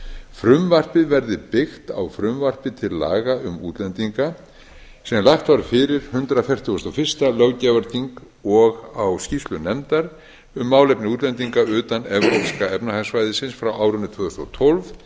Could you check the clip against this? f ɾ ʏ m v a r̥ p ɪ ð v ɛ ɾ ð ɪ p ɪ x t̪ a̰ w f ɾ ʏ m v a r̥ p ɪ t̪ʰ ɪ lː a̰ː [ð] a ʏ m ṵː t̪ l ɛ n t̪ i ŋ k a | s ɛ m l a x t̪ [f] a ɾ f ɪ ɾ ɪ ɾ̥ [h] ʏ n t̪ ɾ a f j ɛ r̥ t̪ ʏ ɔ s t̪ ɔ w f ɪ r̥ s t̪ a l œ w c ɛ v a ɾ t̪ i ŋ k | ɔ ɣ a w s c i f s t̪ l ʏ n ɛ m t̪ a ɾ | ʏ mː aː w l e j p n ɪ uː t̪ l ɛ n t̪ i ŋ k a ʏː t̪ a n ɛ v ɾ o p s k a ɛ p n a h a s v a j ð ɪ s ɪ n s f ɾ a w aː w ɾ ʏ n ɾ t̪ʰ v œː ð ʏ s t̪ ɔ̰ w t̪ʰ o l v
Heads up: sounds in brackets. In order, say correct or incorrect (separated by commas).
incorrect, incorrect, correct